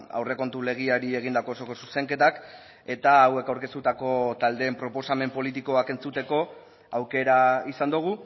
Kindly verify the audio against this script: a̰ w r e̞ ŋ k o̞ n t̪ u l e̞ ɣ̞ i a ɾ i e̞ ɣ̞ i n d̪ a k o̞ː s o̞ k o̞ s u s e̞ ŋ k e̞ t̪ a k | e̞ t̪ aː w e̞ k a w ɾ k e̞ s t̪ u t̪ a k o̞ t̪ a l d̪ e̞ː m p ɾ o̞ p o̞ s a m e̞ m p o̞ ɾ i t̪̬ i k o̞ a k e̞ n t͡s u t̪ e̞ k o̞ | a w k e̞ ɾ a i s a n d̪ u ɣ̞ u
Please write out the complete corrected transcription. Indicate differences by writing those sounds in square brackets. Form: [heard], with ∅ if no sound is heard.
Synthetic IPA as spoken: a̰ w r e̞ [∅] k o̞ n t̪ u l e̞ ɣ̞ i a ɾ i e̞ ɣ̞ i n d̪ a k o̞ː s o̞ k o̞ s u s e̞ ŋ k e̞ t̪ a k | e̞ t̪ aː w e̞ k a w ɾ k e̞ s t̪ u t̪ a k o̞ t̪ a l d̪ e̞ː m p ɾ o̞ p o̞ s a m e̞ m p o̞ [l] i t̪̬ i k o̞ a k e̞ n t͡s u t̪ e̞ k o̞ | a w k e̞ ɾ a i s a n d̪ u ɣ̞ u